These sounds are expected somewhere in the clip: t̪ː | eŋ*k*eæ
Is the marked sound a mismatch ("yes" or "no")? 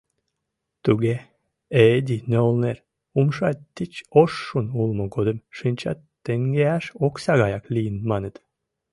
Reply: yes